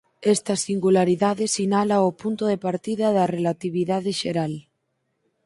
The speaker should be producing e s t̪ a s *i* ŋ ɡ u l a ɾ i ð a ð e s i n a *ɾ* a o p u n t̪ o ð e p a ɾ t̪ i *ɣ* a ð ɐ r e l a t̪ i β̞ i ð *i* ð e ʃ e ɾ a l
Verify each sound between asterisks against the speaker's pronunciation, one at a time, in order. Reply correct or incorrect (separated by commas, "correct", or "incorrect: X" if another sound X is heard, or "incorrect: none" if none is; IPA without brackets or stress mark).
correct, incorrect: l, incorrect: ð, incorrect: a